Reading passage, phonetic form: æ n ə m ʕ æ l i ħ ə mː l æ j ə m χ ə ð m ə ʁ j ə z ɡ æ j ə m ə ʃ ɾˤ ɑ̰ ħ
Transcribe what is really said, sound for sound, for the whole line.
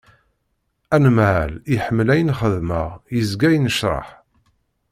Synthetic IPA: æ n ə m ʕ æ l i ħ ə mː l æ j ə n χ ə ð m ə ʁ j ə z ɡ æ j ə n ə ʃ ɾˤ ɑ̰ ħ